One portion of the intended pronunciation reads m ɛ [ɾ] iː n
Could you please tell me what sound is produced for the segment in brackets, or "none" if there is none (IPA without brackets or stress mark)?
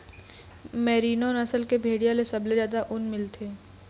ɾ